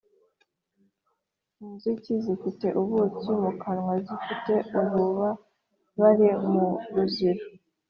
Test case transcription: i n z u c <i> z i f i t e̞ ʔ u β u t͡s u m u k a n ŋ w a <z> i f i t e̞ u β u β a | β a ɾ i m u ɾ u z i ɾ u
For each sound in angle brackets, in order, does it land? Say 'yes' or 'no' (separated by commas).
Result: yes, yes